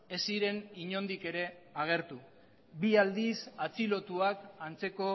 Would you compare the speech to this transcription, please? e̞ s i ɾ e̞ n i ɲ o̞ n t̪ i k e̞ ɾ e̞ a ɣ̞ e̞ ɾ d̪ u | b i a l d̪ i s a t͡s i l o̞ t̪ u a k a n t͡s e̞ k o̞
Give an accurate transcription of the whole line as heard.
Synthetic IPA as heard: e̞ s i ɾ e̞ n i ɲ o̞ n d̪ i k e̞ ɾ e̞ a ɣ̞ e̞ ɾ t̪ u | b i a l d̪ i s a t͡s i l o̞ t̪ u a k a n t͡s e̞ k o̞